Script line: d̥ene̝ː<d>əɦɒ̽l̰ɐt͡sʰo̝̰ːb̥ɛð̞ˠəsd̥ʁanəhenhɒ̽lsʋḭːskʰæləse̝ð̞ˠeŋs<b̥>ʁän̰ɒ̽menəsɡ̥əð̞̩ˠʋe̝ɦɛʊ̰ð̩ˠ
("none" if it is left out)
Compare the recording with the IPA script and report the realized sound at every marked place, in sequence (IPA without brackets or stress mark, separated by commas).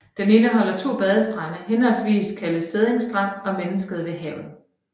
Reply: n, d̥